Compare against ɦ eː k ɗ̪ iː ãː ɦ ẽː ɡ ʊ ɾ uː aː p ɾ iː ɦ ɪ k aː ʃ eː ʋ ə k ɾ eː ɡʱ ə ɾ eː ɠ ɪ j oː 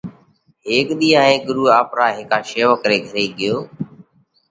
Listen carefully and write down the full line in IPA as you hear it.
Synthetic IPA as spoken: ɦ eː k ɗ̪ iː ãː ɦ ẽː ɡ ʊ ɾ uː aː p ɾ aː ɦ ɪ k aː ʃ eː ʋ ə k ɾ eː ɡʱ ə ɾ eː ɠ ɪ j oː